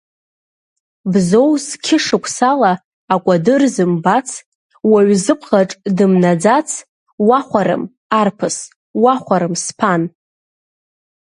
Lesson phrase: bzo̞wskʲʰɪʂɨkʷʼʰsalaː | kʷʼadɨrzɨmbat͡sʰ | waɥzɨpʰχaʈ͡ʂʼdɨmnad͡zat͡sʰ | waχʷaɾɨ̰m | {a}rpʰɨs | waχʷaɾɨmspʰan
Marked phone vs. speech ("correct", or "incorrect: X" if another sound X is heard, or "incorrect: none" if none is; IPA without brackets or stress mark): correct